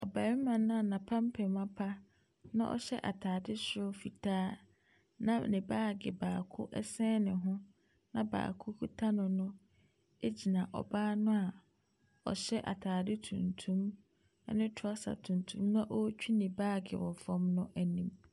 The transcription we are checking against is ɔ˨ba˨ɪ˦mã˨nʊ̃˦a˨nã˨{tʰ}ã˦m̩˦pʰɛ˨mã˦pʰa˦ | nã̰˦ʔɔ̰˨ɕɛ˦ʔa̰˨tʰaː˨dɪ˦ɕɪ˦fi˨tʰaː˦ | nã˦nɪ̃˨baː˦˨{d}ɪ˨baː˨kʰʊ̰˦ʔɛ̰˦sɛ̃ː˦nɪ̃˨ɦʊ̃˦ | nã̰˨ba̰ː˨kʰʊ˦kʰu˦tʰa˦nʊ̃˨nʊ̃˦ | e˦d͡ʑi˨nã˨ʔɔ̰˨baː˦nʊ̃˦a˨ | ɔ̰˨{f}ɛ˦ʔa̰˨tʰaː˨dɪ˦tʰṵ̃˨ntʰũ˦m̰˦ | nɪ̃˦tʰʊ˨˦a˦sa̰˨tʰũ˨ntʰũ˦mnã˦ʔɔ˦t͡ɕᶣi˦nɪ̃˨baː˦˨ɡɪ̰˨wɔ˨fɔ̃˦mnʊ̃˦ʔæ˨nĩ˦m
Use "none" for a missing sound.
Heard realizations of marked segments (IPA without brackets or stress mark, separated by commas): pʰ, ɡ, ɕ